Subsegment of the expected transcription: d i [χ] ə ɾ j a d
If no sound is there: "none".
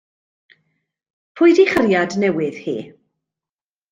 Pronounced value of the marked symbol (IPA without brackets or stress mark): χ